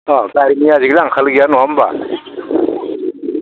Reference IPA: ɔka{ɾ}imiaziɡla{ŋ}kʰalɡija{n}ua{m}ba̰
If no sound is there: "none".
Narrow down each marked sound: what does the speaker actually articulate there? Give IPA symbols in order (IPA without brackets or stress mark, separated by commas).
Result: ɾ, ŋ, n, m